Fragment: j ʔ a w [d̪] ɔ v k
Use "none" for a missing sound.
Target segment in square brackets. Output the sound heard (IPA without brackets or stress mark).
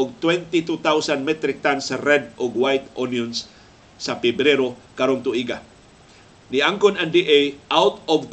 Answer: t̪